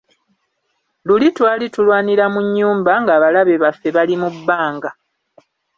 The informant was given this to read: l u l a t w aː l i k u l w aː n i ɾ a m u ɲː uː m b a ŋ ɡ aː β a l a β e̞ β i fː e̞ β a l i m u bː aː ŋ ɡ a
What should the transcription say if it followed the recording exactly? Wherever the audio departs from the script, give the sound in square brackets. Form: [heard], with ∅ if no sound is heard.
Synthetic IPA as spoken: l u l [i] t w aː l i [t] u l w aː n i ɾ a m u ɲː uː m b a ŋ ɡ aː β a l a β e̞ β [a] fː e̞ β a l i m u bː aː ŋ ɡ a